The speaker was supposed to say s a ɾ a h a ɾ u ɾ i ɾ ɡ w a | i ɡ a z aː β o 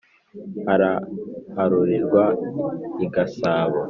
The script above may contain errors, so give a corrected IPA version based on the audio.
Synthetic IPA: h a ɾ a h a ɾ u ɾ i ɾ ɡ w a | i ɡ a s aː β o